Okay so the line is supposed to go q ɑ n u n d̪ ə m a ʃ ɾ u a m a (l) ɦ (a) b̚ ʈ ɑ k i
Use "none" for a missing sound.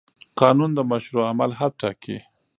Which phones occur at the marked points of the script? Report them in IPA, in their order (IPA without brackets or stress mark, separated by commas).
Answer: l, a